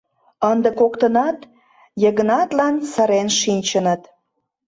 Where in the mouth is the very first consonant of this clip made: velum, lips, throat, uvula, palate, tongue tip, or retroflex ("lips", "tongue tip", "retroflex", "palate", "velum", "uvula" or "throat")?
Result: tongue tip